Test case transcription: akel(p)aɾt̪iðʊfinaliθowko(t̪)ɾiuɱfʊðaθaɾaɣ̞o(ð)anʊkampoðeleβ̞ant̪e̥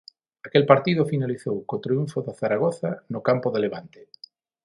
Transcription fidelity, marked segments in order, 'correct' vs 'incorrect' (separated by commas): correct, correct, incorrect